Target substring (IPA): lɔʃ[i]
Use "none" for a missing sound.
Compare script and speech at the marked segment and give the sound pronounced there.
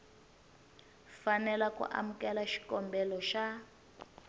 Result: a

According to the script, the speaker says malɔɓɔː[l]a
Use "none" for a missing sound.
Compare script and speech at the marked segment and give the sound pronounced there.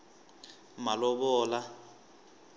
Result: l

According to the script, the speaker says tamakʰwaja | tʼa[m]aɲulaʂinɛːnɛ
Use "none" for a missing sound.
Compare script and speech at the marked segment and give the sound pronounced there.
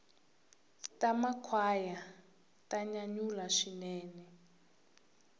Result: ɲ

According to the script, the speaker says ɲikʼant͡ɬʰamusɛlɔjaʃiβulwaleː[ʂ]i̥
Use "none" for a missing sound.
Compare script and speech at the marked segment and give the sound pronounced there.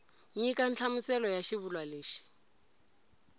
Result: ʃ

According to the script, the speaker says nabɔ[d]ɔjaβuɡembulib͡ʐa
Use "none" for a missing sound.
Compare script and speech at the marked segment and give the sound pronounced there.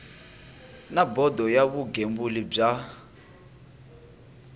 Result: d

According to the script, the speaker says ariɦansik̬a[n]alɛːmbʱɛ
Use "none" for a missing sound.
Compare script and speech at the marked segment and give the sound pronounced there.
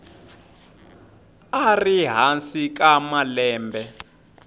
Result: m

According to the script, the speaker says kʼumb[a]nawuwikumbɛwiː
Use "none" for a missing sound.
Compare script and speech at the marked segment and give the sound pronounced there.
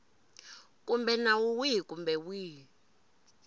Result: ɛ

